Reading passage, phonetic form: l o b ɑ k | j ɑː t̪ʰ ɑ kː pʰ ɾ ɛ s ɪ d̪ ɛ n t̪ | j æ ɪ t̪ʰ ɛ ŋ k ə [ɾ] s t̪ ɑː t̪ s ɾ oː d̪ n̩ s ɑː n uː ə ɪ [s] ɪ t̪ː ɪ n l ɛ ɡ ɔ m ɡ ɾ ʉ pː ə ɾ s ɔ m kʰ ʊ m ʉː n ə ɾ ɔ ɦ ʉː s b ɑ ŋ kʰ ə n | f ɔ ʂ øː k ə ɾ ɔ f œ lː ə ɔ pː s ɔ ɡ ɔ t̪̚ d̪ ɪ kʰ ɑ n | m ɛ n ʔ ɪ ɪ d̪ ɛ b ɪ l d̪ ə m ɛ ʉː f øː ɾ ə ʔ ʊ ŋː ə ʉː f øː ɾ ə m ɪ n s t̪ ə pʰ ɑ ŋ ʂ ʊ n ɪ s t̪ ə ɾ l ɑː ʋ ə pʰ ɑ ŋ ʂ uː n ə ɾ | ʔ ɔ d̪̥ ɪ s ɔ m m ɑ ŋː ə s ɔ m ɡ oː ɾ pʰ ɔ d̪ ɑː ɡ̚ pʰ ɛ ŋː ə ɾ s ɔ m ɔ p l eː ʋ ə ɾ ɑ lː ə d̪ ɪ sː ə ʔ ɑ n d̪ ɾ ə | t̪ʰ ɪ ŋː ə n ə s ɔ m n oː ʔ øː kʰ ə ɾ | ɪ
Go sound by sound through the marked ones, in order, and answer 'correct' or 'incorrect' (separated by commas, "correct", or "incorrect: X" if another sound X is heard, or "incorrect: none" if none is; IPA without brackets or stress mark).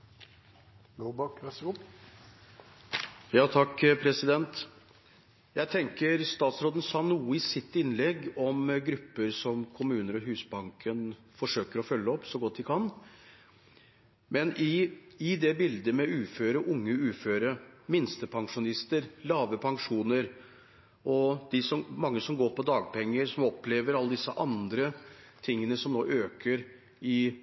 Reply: correct, correct